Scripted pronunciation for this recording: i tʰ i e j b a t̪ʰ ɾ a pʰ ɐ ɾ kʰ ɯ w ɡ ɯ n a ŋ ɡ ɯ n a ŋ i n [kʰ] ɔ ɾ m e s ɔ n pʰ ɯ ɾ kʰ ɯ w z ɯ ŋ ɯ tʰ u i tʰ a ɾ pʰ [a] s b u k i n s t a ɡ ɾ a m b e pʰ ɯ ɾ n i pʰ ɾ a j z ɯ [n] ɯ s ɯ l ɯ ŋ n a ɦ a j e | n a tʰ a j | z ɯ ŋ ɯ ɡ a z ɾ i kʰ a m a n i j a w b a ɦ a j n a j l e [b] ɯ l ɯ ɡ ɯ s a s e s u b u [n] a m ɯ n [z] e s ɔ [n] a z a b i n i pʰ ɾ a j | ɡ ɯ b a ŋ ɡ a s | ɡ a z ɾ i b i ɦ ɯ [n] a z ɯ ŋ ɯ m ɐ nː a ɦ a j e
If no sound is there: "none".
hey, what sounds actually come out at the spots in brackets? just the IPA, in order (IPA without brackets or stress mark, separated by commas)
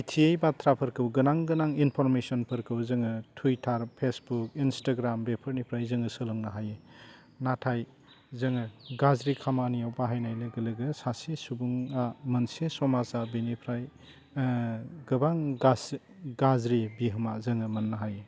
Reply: pʰ, e, ŋ, ɡ, ŋ, s, m, m